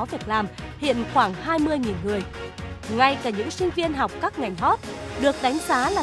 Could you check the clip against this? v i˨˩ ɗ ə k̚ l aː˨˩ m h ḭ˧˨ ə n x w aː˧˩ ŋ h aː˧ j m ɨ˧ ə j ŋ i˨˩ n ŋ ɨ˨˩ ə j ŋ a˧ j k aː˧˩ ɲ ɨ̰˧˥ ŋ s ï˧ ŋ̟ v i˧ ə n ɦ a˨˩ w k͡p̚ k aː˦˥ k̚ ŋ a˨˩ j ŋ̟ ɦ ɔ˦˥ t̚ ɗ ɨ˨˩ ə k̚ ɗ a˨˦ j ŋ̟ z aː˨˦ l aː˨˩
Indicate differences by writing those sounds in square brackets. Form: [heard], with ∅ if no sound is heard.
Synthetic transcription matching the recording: v i˨˩ [∅] ə k̚ l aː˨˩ m h ḭ˧˨ ə n x w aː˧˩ ŋ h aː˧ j m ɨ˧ ə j ŋ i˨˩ n ŋ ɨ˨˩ ə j ŋ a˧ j k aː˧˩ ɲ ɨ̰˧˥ ŋ s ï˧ ŋ̟ v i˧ ə n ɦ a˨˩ w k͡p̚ k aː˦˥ k̚ ŋ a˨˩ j ŋ̟ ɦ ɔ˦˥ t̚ ɗ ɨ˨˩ ə k̚ ɗ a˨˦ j ŋ̟ z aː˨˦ l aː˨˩